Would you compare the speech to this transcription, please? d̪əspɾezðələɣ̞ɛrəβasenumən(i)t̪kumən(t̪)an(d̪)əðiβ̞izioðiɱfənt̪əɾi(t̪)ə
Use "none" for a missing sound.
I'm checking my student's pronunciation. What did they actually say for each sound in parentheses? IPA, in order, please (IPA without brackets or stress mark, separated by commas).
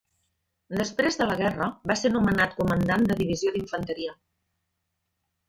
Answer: a, d̪, d̪, none